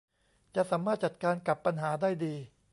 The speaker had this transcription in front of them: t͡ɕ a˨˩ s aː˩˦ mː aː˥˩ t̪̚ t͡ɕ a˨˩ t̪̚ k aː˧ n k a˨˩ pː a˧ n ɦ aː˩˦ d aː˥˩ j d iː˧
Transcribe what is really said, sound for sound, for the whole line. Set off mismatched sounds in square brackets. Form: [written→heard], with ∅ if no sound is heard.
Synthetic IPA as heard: t͡ɕ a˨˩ s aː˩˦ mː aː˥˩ t̪̚ t͡ɕ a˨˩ t̪̚ k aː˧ n k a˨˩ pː a˧ n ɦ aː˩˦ d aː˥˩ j d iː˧